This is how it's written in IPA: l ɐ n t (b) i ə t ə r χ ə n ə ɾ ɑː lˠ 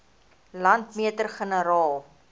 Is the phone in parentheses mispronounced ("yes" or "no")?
yes